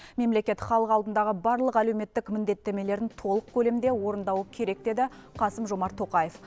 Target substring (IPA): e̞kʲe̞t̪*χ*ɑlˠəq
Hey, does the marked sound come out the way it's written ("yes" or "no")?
yes